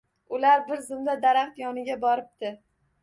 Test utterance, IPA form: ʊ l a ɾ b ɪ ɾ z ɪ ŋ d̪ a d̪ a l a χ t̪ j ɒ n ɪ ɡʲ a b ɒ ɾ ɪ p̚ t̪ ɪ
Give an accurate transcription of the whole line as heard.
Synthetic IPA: ʊ l a ɾ b ɪ ɾ z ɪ m d̪ a d̪ a ɾ a χ t̪ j ɒ n ɪ ɡʲ a b ɒ ɾ ɪ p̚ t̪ ɪ